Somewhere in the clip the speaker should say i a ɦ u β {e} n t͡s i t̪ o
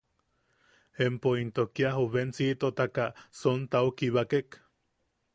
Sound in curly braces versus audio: correct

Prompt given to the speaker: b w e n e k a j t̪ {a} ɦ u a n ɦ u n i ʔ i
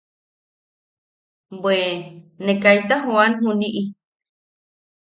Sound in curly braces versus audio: correct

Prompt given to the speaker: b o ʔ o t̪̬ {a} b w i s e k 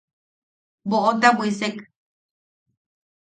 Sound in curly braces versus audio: correct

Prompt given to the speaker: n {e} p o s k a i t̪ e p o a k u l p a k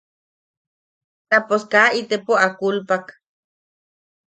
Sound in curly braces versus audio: incorrect: a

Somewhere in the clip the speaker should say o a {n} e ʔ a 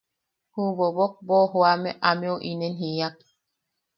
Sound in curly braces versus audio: incorrect: m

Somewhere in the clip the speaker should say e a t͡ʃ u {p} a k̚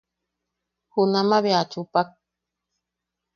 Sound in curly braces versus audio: correct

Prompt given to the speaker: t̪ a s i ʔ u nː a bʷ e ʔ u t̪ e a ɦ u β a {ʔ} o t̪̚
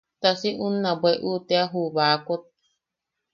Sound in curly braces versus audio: incorrect: k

